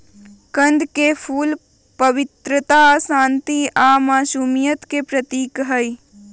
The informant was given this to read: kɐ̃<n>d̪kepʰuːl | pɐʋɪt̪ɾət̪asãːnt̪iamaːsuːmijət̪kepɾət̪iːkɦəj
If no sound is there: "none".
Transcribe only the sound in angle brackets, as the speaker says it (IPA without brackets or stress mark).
n